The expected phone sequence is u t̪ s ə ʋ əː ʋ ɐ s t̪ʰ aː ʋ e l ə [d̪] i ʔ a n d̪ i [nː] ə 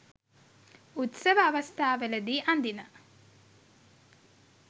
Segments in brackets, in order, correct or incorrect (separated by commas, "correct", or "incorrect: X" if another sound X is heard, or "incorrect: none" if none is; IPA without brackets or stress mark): correct, incorrect: n